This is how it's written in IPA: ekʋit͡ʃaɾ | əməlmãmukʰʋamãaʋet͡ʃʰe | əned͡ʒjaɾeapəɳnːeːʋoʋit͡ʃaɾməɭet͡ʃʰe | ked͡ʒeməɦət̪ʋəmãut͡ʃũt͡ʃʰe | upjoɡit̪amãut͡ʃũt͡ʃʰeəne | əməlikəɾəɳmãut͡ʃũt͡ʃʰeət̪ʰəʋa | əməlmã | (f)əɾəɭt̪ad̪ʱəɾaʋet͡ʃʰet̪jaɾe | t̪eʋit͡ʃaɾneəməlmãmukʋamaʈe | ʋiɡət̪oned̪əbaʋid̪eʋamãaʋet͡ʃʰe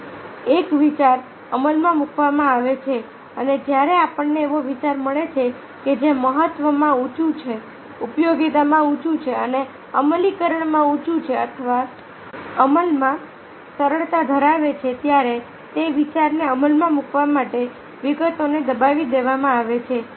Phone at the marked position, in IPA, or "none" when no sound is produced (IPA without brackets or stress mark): s